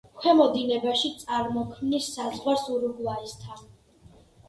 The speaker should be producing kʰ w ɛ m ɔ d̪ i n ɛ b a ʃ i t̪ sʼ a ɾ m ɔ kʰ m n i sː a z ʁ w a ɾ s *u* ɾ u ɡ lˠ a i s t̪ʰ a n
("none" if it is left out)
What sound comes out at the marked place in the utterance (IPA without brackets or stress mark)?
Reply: u